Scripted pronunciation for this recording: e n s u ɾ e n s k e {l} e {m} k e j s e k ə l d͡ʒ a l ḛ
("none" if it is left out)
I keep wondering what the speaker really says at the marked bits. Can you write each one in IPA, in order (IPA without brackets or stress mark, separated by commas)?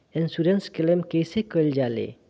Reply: l, m